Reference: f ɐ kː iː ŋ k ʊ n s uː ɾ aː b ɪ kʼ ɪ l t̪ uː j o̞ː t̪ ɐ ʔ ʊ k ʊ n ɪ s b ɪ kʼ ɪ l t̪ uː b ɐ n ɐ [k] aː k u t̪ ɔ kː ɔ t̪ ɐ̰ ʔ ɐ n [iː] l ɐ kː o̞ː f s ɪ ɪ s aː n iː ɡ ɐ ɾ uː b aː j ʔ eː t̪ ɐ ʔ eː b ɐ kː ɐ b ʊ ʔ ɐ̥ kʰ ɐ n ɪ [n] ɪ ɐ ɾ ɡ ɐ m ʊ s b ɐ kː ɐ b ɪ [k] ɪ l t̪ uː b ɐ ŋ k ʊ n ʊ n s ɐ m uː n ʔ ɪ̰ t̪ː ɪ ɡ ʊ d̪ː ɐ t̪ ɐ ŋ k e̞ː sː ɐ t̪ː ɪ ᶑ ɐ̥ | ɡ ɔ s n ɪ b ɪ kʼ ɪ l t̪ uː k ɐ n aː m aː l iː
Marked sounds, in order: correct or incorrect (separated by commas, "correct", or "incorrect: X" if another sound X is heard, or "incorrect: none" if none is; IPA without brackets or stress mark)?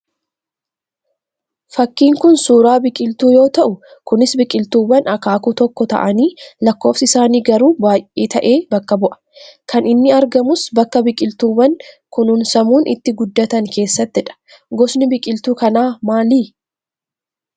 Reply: correct, correct, incorrect: nː, incorrect: kʼ